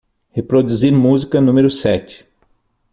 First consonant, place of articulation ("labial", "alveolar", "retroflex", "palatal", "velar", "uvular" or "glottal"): glottal